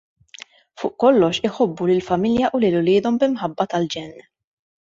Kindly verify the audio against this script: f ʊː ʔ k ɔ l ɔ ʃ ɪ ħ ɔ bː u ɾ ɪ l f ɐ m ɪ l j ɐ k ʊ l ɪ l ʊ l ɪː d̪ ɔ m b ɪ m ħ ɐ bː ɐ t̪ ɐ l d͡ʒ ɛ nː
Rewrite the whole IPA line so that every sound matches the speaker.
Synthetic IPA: f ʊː ʔ k ɔ lː ɔ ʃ ɪ ħ ɔ bː u l ɪ l f ɐ m ɪ l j ɐ ʔ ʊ l ɪ l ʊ l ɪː d̪ ɔ m b ɪ m ħ ɐ bː ɐ t̪ ɐ l d͡ʒ ɛ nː